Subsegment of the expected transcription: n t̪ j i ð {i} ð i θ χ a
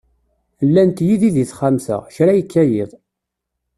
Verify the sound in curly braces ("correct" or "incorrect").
correct